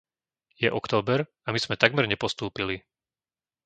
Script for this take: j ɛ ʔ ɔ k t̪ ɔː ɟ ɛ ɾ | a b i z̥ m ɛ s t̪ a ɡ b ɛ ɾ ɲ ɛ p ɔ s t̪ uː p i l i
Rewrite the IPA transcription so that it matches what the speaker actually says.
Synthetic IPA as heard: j ɛ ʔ ɔ k t̪ ɔː b ɛ ɾ | a m i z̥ m ɛ t̪ a ɡ m ɛ ɾ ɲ ɛ p ɔ s t̪ uː p i l i